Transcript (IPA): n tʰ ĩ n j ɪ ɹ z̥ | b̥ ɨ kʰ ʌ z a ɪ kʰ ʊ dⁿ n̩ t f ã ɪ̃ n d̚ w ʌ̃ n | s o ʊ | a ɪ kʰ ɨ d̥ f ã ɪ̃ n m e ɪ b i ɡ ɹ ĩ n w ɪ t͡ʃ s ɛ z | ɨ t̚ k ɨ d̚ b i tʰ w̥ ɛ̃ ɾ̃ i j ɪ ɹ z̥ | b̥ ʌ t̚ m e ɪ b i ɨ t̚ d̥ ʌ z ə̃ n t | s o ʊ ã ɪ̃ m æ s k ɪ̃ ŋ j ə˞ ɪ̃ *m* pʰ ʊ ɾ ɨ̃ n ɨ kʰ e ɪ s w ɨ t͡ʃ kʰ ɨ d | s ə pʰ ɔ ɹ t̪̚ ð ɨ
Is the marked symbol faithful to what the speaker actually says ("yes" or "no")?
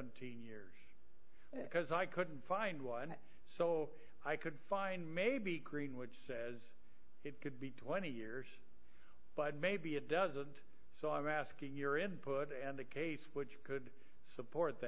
no